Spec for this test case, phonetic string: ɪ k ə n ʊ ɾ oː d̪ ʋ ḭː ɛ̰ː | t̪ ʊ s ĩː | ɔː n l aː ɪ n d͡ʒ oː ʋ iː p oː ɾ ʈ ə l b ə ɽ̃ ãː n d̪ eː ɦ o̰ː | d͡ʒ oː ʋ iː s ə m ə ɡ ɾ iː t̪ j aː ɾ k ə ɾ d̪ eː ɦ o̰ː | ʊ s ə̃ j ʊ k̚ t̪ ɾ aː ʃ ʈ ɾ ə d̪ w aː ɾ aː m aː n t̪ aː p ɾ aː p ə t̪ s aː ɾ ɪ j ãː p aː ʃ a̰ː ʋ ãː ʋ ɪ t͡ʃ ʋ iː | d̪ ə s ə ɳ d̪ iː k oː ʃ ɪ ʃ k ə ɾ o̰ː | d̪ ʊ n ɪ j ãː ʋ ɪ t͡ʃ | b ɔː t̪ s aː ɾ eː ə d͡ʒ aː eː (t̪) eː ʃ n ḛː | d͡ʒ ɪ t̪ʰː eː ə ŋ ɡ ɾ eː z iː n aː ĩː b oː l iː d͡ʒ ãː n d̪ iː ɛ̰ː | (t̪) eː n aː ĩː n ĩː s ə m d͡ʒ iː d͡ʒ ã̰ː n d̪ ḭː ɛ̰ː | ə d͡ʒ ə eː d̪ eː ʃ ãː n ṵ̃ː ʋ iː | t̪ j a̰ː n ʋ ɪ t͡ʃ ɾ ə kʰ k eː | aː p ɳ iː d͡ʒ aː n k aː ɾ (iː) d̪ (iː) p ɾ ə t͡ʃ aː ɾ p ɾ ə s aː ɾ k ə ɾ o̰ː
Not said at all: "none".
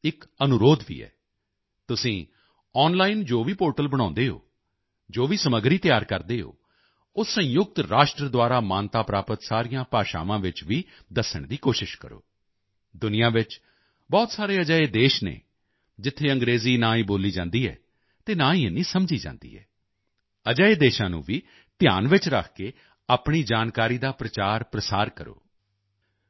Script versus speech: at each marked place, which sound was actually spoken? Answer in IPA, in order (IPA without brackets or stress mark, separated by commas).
d̪, t̪, iː, aː